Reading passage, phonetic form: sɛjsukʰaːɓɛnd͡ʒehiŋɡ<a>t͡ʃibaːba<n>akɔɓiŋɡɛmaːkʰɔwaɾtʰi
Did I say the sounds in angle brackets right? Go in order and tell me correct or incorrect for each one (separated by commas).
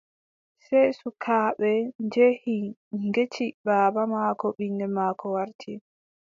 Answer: incorrect, incorrect